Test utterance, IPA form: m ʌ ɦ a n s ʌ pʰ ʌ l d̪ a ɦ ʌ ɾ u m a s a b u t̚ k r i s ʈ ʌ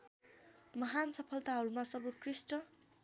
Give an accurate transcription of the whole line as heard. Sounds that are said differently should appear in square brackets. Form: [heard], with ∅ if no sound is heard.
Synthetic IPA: m ʌ ɦ a n s ʌ pʰ ʌ l [t̪] a ɦ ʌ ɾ u m a s [ʌ] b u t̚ k r i s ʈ ʌ